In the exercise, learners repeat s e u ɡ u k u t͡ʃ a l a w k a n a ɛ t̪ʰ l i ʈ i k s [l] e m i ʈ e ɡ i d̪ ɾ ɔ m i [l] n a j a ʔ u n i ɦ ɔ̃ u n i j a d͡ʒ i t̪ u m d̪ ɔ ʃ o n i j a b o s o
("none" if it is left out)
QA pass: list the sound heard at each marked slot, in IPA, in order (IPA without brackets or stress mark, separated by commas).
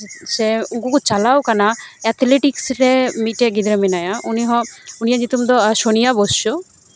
ɾ, none